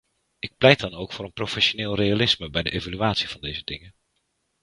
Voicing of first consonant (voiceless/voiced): voiceless